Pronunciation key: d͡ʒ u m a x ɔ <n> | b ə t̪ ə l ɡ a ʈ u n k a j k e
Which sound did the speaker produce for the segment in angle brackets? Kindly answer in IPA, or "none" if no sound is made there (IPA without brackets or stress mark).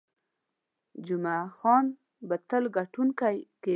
n